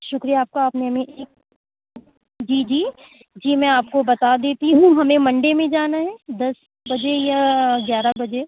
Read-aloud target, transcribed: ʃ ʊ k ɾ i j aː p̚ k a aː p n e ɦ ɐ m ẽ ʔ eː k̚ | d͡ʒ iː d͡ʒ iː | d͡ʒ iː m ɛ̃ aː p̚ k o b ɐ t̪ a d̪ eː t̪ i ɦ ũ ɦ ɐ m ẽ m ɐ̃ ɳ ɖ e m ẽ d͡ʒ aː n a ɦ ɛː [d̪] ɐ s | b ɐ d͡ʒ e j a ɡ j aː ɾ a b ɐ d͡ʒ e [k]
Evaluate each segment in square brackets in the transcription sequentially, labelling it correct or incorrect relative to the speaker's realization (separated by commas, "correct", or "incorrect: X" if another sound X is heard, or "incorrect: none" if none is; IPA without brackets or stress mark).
correct, incorrect: none